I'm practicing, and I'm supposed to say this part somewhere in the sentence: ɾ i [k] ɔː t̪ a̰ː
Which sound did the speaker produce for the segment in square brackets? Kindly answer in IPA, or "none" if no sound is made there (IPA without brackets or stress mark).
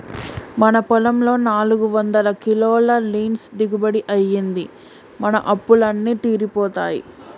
p